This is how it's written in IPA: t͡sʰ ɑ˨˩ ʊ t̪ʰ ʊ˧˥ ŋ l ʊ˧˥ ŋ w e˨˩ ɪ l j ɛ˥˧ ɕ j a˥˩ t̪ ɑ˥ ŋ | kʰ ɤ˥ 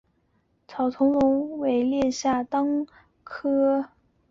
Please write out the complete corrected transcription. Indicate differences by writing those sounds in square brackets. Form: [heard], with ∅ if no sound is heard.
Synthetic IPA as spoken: t͡sʰ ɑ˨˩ ʊ t̪ʰ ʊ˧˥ ŋ l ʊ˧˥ ŋ w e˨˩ ɪ l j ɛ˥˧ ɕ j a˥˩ t̪ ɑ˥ ŋ | kʰ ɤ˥